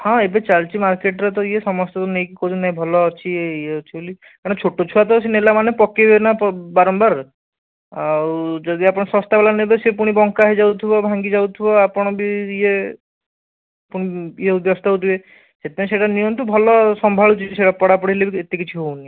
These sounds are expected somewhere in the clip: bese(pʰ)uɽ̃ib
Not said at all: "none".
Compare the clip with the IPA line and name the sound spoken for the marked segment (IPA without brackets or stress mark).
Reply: p